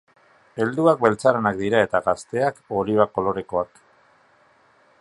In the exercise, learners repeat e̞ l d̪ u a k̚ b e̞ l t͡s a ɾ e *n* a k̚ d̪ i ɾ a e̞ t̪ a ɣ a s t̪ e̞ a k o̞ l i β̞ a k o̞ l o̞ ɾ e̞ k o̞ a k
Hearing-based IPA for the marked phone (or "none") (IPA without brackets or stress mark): n